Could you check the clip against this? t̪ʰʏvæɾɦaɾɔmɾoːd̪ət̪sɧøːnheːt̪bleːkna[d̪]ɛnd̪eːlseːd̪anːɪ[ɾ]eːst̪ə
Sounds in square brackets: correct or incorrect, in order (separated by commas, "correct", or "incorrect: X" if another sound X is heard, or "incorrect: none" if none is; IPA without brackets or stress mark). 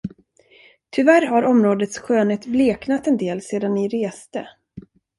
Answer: incorrect: t̪, correct